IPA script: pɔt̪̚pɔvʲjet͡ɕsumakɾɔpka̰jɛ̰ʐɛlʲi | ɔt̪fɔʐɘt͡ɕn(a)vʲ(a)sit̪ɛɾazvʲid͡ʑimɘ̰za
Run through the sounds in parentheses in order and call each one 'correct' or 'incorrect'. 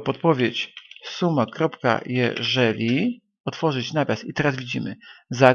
correct, correct

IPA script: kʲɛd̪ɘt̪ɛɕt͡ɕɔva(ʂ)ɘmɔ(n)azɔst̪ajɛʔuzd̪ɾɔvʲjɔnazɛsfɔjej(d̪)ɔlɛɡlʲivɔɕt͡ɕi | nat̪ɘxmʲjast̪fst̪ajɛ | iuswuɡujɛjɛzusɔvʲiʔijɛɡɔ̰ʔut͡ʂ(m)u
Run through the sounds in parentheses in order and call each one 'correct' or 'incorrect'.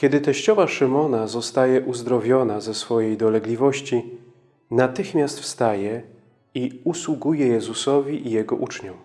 correct, correct, correct, incorrect: ɲ

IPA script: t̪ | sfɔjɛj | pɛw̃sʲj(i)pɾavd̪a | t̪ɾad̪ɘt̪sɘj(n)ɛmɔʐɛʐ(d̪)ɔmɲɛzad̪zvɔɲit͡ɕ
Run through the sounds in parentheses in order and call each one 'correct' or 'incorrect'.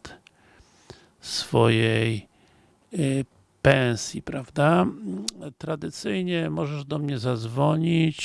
correct, incorrect: ɲ, correct

